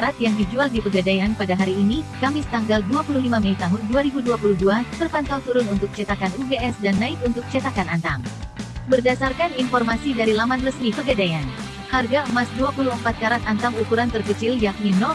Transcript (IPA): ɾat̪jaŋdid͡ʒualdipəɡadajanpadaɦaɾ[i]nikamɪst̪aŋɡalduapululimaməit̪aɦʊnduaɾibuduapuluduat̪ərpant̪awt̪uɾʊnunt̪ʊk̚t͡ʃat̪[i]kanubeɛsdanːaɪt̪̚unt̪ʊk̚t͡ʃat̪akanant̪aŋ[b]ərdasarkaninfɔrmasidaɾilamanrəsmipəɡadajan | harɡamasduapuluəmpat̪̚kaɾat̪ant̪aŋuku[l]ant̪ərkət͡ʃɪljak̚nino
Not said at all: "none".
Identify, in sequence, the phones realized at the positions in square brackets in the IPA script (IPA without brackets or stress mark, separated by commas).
iː, a, b, ɾ